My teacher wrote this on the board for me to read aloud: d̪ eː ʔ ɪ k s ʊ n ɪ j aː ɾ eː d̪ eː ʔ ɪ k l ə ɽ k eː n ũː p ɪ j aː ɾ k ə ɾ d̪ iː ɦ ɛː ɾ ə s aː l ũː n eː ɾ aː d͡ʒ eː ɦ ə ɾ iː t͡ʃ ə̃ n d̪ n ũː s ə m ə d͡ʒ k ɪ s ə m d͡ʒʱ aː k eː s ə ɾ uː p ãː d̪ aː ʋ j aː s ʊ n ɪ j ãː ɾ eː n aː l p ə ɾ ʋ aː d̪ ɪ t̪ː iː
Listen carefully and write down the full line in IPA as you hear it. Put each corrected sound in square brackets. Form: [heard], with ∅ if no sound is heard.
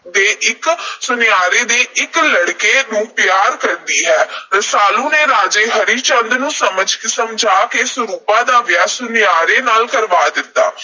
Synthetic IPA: d̪ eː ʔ ɪ k s ʊ n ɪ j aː ɾ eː d̪ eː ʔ ɪ k l ə ɽ k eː n ũː p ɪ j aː ɾ k ə ɾ d̪ iː ɦ ɛː ɾ ə s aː l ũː n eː ɾ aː d͡ʒ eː ɦ ə ɾ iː t͡ʃ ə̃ n d̪ n ũː s ə m ə d͡ʒ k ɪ s ə m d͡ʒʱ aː k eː s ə ɾ uː p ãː d̪ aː ʋ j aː s ʊ n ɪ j [aː] ɾ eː n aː l [k] ə ɾ ʋ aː d̪ ɪ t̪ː [aː]